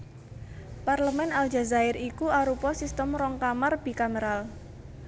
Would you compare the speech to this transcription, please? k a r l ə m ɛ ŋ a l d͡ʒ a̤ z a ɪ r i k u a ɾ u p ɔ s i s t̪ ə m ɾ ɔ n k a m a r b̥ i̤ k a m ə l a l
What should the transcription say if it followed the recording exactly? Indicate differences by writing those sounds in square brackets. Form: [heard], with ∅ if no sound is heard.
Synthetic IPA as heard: [p] a r l ə m ɛ [n] a l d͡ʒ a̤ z a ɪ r i k u a ɾ u p ɔ s i s t̪ ə m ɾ ɔ [ŋ] k a m a r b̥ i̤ k a m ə [ɾ] a l